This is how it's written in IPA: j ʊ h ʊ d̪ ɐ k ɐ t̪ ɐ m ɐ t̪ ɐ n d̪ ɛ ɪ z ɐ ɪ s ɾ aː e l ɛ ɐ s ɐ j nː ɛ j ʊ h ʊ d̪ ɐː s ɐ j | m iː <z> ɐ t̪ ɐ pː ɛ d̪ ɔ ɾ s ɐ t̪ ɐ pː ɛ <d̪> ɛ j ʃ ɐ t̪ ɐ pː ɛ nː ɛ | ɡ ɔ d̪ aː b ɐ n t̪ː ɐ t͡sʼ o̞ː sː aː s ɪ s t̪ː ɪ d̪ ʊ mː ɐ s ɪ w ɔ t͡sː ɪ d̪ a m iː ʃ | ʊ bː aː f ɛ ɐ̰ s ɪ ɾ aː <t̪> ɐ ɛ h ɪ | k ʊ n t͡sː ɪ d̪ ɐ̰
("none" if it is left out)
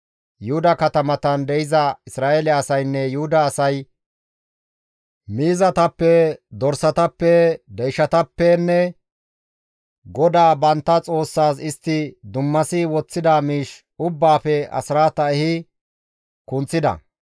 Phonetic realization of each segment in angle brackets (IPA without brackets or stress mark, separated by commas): z, d̪, t̪